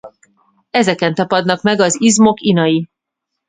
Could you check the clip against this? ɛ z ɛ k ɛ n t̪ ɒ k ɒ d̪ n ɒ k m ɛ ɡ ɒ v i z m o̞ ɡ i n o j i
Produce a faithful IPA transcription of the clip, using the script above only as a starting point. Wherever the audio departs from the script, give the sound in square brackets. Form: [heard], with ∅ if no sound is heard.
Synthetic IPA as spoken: ɛ z ɛ k ɛ n t̪ ɒ [p] ɒ d̪ n ɒ k m ɛ ɡ ɒ [z] i z m o̞ [k] i n [ɒ] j i